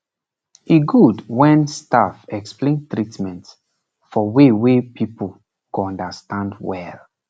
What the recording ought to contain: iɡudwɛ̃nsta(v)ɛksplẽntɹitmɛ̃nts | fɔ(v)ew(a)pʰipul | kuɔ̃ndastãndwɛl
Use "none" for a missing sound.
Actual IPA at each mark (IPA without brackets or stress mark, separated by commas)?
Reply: f, w, e